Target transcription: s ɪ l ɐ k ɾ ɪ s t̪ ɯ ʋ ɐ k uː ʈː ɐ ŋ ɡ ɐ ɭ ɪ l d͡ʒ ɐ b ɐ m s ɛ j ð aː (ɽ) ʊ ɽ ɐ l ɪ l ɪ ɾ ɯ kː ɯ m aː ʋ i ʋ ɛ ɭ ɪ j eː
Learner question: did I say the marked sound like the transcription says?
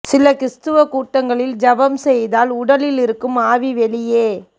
no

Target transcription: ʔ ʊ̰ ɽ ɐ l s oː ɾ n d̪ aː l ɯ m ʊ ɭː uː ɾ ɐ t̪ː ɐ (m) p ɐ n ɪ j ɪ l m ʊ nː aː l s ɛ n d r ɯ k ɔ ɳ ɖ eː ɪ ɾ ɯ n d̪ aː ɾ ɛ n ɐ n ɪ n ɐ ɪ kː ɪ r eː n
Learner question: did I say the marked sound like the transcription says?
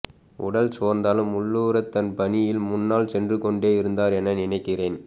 no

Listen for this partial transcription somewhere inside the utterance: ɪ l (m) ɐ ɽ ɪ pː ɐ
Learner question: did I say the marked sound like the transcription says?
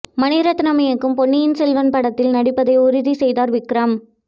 no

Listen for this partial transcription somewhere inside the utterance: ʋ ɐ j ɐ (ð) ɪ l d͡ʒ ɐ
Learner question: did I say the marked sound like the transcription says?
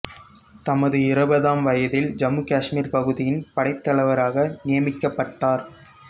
yes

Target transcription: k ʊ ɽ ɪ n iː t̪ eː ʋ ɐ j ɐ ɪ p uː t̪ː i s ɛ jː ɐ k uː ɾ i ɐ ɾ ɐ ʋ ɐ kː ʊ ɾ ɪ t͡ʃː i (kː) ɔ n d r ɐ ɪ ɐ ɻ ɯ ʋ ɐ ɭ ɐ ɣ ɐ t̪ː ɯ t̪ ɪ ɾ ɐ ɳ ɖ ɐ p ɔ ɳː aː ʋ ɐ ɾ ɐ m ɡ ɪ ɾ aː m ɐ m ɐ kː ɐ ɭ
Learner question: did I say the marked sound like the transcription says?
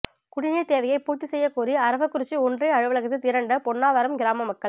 no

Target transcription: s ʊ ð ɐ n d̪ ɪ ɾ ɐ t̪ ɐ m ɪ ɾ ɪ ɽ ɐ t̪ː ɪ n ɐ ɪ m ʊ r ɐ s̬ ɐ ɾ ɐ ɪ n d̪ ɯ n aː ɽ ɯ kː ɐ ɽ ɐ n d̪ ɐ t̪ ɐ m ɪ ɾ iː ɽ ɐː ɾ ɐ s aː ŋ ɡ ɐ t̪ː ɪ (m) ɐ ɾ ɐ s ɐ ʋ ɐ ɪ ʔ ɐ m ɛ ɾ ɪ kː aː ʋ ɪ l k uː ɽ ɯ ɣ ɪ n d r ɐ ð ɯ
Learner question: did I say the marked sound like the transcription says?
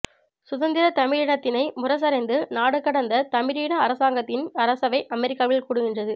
no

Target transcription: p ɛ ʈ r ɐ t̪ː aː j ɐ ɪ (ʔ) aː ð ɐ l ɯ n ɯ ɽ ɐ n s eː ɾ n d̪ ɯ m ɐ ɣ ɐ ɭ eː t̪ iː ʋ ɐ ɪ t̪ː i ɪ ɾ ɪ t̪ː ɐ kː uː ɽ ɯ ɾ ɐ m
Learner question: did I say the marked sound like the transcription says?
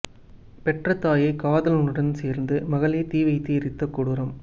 no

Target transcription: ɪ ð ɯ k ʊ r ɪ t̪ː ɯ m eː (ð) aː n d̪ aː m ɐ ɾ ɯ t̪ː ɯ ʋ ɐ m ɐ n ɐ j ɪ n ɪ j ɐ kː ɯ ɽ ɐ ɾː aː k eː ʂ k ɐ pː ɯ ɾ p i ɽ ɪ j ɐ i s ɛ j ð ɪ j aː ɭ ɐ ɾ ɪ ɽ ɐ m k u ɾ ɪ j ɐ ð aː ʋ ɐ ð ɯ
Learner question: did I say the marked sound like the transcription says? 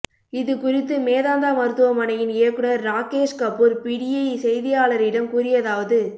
yes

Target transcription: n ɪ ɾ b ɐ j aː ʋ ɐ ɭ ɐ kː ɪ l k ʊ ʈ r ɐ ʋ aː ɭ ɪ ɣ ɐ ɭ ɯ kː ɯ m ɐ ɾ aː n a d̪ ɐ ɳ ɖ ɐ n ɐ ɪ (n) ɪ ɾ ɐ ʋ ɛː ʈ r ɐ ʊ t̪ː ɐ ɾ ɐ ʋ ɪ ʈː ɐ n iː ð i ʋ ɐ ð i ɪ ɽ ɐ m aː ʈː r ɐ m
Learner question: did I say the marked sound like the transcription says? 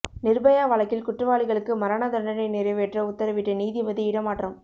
yes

